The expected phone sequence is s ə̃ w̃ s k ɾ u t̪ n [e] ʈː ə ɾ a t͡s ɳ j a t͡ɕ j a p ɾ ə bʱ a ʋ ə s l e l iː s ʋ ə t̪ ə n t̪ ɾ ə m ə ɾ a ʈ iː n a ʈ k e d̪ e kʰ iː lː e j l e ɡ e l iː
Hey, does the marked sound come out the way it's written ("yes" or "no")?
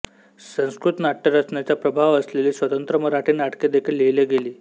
no